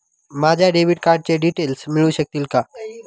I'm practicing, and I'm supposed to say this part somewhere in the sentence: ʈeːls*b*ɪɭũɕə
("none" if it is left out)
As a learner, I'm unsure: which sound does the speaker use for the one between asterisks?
m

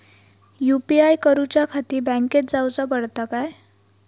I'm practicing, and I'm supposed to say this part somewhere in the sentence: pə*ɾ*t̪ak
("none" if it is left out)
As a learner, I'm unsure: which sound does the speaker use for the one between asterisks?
ɽ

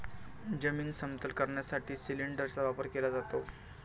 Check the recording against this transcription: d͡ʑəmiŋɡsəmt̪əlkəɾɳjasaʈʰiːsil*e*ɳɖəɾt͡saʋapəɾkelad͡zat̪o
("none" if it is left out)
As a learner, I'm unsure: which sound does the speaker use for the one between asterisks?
i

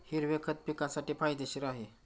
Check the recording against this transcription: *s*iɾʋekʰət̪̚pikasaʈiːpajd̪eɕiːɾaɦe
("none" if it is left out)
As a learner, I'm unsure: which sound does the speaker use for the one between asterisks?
h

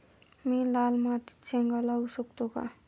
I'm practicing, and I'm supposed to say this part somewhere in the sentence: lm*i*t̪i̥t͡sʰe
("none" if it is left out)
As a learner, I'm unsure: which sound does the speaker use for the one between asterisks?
a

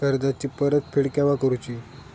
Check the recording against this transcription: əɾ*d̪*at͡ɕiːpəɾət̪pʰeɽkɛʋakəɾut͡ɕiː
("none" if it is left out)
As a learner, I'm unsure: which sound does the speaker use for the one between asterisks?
d̪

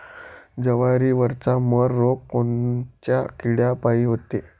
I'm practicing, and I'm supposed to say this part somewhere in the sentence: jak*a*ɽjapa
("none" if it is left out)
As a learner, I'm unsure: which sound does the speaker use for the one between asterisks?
i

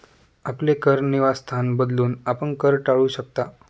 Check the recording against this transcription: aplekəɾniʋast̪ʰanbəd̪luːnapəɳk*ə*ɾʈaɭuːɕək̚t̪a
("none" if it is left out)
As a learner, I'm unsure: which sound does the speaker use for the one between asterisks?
ə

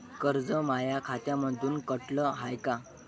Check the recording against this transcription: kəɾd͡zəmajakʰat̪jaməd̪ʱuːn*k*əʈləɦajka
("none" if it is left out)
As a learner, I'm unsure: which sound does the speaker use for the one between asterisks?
k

